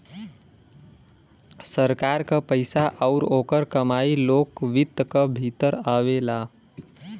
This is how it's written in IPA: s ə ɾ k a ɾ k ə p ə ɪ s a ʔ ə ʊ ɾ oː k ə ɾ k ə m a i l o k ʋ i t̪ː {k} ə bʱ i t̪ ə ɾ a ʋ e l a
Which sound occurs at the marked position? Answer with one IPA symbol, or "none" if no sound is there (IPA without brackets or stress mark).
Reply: k